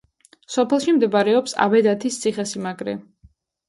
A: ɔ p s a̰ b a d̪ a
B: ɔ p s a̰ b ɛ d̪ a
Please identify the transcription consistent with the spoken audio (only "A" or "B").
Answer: B